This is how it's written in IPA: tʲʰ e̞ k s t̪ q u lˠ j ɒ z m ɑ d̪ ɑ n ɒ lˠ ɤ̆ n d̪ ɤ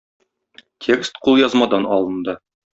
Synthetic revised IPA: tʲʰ e̞ k s t̪ q u lˠ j ɒ z m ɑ d̪ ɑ n ɒ lˠ ɤ̆ n d̪ ɤ